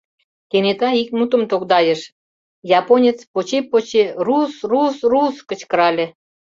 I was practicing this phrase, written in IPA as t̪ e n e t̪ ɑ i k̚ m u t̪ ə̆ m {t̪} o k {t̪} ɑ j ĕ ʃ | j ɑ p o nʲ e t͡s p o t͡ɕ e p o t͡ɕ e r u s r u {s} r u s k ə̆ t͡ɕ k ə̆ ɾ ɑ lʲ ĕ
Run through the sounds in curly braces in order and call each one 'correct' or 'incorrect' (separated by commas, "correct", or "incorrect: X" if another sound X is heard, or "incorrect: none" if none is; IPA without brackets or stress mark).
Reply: correct, incorrect: d̪, correct